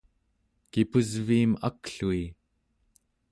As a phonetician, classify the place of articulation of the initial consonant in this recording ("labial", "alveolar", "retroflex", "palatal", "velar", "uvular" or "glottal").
velar